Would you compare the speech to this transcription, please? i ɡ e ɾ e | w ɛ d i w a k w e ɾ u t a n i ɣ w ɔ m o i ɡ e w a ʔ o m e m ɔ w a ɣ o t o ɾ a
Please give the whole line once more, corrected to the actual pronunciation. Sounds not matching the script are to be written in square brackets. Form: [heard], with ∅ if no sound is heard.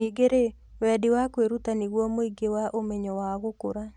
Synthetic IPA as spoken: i ɡ e ɾ e | w ɛ d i w a k w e ɾ u t a n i ɣ w ɔ m o i ɡ e w a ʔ o m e [ɲ] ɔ w a ɣ o [k] o ɾ a